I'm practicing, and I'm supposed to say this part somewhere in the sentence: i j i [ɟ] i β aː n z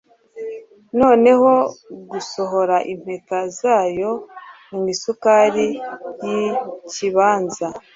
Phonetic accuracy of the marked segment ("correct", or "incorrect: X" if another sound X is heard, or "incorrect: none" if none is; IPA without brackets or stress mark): incorrect: c